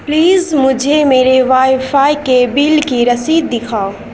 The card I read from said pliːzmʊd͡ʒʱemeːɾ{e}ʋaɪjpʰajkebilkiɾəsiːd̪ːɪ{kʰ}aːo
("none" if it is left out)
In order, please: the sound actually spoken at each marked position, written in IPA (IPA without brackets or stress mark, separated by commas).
e, kʰ